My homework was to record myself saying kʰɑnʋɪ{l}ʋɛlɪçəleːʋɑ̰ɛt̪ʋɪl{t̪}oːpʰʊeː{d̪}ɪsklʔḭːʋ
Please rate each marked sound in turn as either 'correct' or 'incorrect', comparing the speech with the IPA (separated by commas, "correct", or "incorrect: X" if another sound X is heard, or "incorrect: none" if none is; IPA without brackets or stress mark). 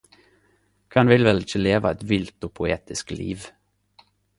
correct, correct, incorrect: t̪